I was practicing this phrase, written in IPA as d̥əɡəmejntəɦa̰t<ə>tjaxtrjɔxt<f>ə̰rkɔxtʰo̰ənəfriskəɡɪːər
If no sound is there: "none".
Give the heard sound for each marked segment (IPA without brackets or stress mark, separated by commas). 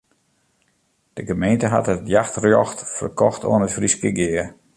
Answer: ə, f